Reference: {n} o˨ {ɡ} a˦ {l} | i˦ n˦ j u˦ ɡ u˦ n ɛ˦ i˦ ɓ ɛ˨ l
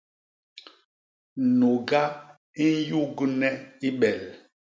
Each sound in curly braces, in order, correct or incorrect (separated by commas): correct, correct, incorrect